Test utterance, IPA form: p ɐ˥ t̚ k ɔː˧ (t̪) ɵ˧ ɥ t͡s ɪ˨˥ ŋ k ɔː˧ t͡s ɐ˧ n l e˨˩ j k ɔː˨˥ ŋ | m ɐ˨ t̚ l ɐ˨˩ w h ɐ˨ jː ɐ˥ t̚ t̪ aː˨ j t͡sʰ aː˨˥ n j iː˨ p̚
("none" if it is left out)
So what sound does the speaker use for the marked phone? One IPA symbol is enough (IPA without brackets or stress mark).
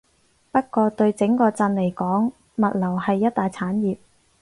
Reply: t̪